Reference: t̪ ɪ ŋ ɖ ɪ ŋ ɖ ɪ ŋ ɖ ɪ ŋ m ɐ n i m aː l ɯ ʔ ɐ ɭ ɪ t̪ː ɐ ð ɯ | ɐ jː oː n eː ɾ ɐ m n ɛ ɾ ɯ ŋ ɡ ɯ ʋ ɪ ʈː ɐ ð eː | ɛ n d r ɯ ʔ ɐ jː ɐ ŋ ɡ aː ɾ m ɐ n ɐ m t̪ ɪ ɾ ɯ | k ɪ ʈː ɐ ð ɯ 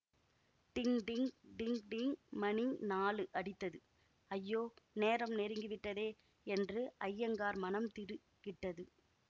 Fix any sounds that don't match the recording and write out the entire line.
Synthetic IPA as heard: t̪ ɪ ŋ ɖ ɪ ŋ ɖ ɪ ŋ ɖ ɪ ŋ m ɐ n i n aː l ɯ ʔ ɐ ɽ ɪ t̪ː ɐ ð ɯ | ɐ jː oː n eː ɾ ɐ m n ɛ ɾ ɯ ŋ ɡ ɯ ʋ ɪ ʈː ɐ ð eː | ɛ n d r ɯ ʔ ɐ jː ɐ ŋ ɡ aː ɾ m ɐ n ɐ m t̪ ɪ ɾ ɯ | k ɪ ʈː ɐ ð ɯ

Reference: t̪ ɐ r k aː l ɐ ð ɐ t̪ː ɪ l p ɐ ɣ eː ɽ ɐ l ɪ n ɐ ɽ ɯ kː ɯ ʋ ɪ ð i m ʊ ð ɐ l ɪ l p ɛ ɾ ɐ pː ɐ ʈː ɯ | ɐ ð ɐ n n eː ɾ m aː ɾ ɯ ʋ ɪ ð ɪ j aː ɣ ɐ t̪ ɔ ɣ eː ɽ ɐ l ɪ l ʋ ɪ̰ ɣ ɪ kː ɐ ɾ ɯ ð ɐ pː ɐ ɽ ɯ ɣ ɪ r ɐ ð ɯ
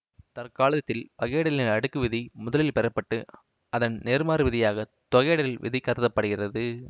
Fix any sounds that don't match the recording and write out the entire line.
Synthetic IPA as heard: t̪ ɐ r k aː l ɐ ð ɐ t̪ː ɪ l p ɐ ɣ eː ɽ ɐ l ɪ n ɐ ɽ ɯ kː ɯ ʋ ɪ ð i m ʊ ð ɐ l ɪ l p ɛ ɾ ɐ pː ɐ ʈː ɯ | ɐ ð ɐ n n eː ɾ m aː ɾ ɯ ʋ ɪ ð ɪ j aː ɣ ɐ t̪ ɔ ɣ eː ɽ ɐ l ɪ l ʋ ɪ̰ ð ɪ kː ɐ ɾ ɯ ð ɐ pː ɐ ɽ ɯ ɣ ɪ r ɐ ð ɯ

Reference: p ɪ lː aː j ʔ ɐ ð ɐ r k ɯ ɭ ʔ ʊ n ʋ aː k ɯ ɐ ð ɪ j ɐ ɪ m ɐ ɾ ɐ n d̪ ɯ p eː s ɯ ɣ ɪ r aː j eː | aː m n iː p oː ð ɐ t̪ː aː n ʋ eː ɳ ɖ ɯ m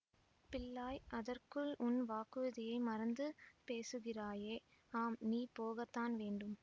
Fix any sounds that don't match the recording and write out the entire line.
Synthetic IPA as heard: p ɪ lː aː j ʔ ɐ ð ɐ r k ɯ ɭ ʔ ʊ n ʋ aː k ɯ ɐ ð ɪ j ɐ ɪ m ɐ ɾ ɐ n d̪ ɯ p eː s ɯ ɣ ɪ r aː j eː | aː m n iː p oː ɣ ɐ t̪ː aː n ʋ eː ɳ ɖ ɯ m

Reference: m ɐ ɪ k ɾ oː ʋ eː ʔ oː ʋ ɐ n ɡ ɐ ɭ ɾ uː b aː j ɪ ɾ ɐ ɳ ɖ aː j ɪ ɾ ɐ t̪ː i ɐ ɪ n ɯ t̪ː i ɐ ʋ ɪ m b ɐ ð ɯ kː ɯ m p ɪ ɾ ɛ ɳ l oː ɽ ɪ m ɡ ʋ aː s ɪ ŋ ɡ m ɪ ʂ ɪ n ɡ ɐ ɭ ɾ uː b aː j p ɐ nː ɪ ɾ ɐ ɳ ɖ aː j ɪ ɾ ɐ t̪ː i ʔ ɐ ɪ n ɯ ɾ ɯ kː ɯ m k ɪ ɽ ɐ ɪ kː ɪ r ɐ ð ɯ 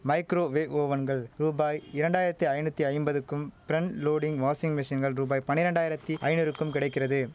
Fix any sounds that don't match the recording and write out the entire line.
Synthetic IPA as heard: m ɐ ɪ k ɾ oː ʋ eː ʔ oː ʋ ɐ n ɡ ɐ ɭ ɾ uː b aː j ɪ ɾ ɐ ɳ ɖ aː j ɪ ɾ ɐ t̪ː i ɐ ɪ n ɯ t̪ː i ɐ ɪ m b ɐ ð ɯ kː ɯ m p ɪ ɾ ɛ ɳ l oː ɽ ɪ ŋ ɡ ʋ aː s ɪ ŋ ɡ m ɪ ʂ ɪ n ɡ ɐ ɭ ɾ uː b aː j p ɐ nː ɪ ɾ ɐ ɳ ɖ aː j ɪ ɾ ɐ t̪ː i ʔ ɐ ɪ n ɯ ɾ ɯ kː ɯ m k ɪ ɽ ɐ ɪ kː ɪ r ɐ ð ɯ

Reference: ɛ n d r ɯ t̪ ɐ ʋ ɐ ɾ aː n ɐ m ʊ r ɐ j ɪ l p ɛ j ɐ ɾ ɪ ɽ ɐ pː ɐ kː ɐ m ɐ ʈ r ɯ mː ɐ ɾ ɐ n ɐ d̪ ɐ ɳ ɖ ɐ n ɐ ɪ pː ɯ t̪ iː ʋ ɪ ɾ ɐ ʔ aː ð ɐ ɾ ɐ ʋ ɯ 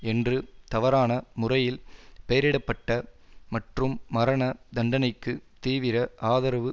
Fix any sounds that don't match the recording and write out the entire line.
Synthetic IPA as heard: ɛ n d r ɯ t̪ ɐ ʋ ɐ ɾ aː n ɐ m ʊ r ɐ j ɪ l p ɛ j ɐ ɾ ɪ ɽ ɐ pː ɐ ʈː ɐ m ɐ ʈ r ɯ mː ɐ ɾ ɐ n ɐ d̪ ɐ ɳ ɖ ɐ n ɐ ɪ kː ɯ t̪ iː ʋ ɪ ɾ ɐ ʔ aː ð ɐ ɾ ɐ ʋ ɯ

